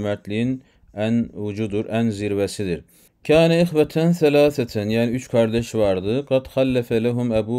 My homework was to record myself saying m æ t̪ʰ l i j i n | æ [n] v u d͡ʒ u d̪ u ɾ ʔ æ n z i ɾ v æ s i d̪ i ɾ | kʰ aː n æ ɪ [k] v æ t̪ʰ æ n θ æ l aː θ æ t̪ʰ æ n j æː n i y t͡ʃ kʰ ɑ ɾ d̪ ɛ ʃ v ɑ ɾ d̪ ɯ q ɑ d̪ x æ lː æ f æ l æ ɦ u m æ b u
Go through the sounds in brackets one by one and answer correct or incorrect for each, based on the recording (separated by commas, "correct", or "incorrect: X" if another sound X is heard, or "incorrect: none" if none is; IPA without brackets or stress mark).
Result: correct, incorrect: x